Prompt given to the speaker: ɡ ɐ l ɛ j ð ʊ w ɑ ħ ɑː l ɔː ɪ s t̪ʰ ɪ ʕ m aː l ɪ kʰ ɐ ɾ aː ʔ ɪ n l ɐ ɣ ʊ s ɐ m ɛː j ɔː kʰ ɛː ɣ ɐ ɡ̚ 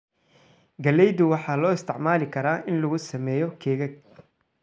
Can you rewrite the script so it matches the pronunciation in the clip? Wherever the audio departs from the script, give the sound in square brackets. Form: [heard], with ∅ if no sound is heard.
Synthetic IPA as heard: ɡ ɐ l ɛ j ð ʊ w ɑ ħ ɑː l ɔː ɪ s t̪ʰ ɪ ʕ m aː l ɪ kʰ ɐ ɾ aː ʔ ɪ n l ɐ ɣ ʊ s ɐ m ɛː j [ɔ] kʰ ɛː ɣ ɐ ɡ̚

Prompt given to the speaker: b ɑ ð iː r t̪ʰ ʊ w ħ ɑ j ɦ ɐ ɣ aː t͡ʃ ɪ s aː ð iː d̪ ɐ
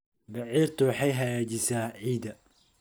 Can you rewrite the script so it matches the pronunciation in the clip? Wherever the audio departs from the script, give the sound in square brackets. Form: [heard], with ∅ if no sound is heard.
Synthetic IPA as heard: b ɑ [ʕ] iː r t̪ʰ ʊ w ħ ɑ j ɦ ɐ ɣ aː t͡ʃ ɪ s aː [ʕ] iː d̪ ɐ

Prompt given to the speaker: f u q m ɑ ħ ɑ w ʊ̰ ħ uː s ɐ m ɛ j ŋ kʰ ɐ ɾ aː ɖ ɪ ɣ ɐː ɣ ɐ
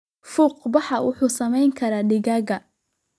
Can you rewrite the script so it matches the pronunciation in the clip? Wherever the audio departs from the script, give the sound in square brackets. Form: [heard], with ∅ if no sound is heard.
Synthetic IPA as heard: f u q [b] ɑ ħ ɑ w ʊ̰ ħ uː s ɐ m ɛ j ŋ kʰ ɐ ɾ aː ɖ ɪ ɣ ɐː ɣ ɐ

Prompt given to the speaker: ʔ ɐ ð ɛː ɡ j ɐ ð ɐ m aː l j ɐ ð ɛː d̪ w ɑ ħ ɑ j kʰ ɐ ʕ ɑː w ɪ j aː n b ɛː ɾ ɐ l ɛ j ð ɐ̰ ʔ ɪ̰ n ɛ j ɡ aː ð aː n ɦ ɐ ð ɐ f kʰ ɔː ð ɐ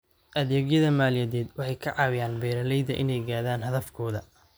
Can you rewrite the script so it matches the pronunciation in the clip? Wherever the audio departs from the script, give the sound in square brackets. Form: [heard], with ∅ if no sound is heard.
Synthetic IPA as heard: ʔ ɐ ð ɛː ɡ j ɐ ð ɐ m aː l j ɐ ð ɛː d̪ w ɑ ħ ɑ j kʰ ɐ ʕ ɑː w ɪ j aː n b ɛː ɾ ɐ l ɛ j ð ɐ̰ ʔ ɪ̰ n ɛ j ɡ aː ð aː n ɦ ɐ ð ɐ f kʰ ɔː ð ɐ

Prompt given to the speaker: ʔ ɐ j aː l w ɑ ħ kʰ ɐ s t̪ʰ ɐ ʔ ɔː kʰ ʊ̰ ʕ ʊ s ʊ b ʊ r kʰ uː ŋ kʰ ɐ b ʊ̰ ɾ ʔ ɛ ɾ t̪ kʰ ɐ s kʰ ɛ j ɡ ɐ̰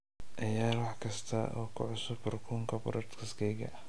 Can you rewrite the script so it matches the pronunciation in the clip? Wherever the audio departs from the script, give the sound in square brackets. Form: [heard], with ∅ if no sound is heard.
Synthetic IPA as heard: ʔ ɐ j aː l w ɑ ħ kʰ ɐ s t̪ʰ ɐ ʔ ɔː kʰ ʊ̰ ʕ ʊ s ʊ b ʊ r kʰ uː ŋ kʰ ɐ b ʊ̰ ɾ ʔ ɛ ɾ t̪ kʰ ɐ s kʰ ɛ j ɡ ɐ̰

